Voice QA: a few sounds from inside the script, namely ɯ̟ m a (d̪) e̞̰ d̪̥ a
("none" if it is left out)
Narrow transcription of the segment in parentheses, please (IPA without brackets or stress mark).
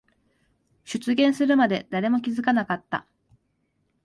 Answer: d̪